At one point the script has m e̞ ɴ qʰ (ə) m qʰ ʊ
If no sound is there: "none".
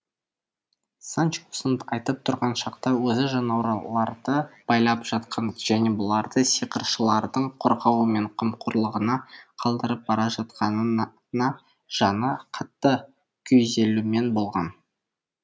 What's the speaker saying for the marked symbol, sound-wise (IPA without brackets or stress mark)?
ə